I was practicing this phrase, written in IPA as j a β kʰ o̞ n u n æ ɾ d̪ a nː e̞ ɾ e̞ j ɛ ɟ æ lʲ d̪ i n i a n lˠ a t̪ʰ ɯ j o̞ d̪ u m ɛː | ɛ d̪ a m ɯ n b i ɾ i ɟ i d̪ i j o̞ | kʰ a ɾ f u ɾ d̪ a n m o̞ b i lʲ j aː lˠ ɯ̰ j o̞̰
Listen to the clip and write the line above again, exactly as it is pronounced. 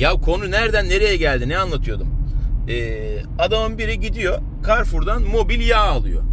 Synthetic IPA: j a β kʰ o̞ n u n æ ɾ d̪ æ nː e̞ ɾ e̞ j ɛ ɟ æ lʲ d̪ i n ɛ a n lˠ a t̪ʰ ɯ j o̞ d̪ u m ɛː | a d̪ a m ɯ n b i ɾ i ɟ i d̪ i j o̞ | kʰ a ɾ f u ɾ d̪ a n m o̞ b i lʲ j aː lˠ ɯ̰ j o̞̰